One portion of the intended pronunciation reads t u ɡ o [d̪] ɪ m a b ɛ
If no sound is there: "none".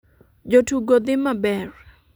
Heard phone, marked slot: d̪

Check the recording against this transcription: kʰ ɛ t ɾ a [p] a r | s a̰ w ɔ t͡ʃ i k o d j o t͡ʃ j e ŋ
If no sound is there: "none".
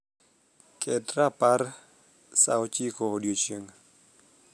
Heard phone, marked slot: p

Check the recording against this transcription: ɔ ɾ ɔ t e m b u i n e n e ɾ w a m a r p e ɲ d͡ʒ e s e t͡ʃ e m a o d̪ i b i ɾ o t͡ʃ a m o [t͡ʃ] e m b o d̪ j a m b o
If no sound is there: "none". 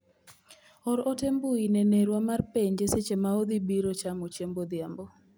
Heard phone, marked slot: t͡ʃ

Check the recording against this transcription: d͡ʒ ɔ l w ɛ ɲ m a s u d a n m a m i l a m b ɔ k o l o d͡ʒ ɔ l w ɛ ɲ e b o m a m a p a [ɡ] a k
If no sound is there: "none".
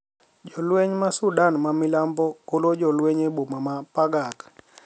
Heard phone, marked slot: ɡ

